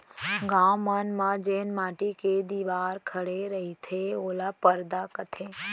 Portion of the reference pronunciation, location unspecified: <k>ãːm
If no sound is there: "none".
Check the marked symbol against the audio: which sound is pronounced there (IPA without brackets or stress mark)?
ɡ